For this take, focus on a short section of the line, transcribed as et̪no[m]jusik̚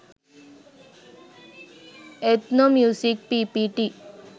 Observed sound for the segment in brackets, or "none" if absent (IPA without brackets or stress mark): m